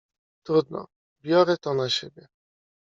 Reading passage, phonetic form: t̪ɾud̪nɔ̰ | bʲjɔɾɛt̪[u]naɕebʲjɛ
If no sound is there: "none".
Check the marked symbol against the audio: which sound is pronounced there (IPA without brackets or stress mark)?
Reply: ɔ